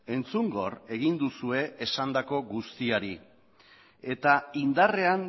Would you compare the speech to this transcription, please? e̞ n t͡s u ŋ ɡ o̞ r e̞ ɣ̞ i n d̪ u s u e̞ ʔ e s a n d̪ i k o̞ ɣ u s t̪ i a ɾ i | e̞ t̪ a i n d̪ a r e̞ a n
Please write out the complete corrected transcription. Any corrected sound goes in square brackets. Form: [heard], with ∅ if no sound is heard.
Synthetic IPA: e̞ n t͡s u ŋ ɡ o̞ r e̞ ɣ̞ i n d̪ u s u e̞ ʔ e s a n d̪ [a] k o̞ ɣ u s t̪ i a ɾ i | e̞ t̪ a i n d̪ a r e̞ a n